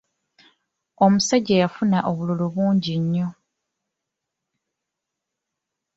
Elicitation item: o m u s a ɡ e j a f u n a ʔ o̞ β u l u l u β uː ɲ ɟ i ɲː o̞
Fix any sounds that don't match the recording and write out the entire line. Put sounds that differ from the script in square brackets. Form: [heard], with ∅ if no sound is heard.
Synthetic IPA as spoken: o m u s a [ɟ] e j a f u n a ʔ o̞ β u l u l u β uː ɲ ɟ i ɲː o̞